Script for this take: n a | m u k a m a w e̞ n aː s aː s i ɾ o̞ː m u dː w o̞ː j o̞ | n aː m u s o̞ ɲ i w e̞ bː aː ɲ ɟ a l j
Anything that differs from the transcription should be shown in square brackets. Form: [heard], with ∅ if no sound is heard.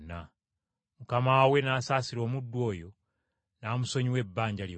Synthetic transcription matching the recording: n a | m u k a m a w e̞ n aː s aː s i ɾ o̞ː m u dː w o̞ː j o̞ | n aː m u s o̞ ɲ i w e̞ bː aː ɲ ɟ a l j